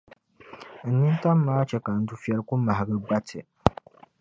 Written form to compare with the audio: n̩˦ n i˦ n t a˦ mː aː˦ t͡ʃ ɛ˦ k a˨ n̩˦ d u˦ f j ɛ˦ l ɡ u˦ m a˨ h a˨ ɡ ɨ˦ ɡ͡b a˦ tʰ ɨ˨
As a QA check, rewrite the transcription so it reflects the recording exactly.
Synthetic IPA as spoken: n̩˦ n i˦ n t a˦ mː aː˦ t͡ʃ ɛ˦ k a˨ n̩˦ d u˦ f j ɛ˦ l k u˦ m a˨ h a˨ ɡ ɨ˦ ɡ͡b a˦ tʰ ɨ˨